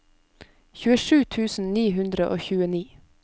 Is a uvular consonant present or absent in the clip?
absent